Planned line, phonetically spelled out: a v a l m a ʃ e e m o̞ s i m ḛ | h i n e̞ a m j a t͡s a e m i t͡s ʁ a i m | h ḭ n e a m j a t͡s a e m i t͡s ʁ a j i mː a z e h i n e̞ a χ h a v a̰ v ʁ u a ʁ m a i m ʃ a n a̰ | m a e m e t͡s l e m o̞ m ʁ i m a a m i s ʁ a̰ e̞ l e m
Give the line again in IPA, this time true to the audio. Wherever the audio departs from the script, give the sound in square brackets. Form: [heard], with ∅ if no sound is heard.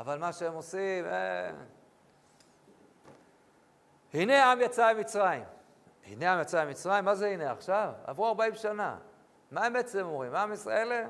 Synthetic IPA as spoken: a v a l m a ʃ e e m o̞ s i m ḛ | h i n e̞ a m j a t͡s a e m i t͡s ʁ a i m | h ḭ n e a m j a t͡s a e m i t͡s ʁ a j i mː a z e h i n e̞ a χ [ʃ] a v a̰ v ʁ u a ʁ [b] a i m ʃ a n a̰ | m a e m e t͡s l e m o̞ m ʁ i m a a m i s ʁ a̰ e̞ l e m